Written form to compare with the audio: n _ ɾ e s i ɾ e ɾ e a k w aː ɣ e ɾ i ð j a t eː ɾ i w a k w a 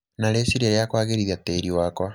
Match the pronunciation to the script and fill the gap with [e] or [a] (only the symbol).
a